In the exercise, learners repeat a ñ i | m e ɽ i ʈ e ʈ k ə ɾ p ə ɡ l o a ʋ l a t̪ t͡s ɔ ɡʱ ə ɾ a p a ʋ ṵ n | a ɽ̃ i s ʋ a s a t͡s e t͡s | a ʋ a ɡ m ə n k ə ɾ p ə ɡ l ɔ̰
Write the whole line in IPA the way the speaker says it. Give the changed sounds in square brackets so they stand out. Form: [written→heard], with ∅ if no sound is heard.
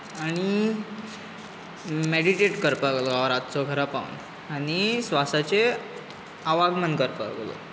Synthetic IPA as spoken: a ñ i | m e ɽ i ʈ e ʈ k ə ɾ p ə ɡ l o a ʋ [l→ɾ] a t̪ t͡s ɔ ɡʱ ə ɾ a p a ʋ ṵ n | a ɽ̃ i s ʋ a s a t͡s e [t͡s→∅] | a ʋ a ɡ m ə n k ə ɾ p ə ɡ l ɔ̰